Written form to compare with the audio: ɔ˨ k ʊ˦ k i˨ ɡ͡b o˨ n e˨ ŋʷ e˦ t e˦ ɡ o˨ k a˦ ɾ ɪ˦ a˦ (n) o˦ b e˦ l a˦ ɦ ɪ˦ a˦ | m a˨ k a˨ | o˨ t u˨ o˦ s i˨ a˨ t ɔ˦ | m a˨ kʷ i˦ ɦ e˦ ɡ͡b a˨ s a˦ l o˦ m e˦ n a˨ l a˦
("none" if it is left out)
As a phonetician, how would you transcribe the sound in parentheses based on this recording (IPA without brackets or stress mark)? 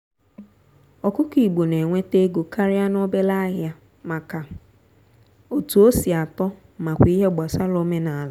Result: n